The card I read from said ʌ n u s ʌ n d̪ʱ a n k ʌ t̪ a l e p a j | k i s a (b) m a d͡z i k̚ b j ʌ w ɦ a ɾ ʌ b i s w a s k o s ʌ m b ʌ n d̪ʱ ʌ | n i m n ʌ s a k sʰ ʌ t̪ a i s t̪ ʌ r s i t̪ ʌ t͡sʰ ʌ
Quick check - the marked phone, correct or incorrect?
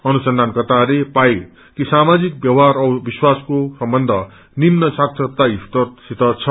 incorrect